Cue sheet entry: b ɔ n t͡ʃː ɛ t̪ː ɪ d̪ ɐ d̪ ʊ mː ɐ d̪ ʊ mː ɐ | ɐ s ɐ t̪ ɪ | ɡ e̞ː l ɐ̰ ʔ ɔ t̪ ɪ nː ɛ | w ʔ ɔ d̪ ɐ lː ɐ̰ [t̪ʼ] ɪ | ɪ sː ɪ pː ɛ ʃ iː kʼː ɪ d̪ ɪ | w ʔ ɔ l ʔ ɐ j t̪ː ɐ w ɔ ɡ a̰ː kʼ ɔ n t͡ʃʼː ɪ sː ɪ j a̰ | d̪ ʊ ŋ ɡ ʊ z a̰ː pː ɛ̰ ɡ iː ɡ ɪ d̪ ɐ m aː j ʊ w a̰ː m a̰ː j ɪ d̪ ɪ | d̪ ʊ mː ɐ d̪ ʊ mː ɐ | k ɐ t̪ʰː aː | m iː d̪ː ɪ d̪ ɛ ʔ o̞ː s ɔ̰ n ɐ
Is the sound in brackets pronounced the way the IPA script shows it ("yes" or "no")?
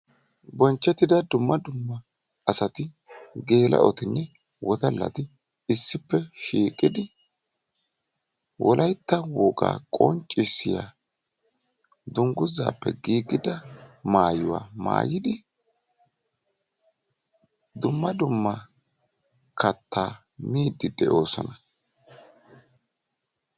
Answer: no